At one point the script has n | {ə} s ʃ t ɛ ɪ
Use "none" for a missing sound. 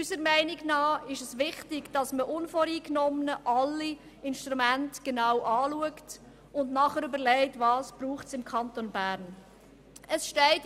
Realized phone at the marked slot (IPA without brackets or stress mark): ə